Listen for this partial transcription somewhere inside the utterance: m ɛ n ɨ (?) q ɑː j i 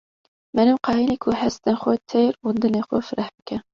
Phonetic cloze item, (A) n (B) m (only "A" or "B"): B